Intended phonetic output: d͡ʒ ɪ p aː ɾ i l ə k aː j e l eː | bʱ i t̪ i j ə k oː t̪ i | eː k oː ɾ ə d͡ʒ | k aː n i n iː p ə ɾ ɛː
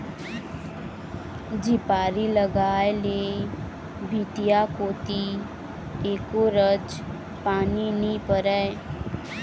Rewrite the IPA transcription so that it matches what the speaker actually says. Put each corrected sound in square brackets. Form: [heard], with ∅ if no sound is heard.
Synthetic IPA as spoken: d͡ʒ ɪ p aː ɾ i l ə [ɡ] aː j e l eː | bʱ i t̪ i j [a] k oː t̪ i | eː k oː ɾ ə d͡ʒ | [p] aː n i n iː p ə ɾ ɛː